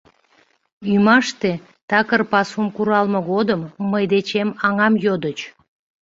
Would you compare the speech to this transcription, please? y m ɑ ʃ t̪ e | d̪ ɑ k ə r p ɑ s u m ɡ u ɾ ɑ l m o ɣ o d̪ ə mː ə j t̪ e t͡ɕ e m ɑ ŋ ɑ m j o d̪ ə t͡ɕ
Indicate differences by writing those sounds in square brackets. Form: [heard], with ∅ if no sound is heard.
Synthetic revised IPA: y m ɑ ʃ t̪ e | [t̪] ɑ k ə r p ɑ s u m [k] u ɾ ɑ l m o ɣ o d̪ ə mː ə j [d̪] e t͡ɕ e m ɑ ŋ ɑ m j o d̪ ə t͡ɕ